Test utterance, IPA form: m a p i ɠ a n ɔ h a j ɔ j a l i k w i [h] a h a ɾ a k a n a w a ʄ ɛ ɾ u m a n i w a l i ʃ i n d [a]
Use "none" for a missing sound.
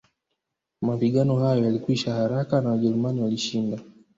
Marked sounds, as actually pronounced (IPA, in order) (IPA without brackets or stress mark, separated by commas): ʃ, a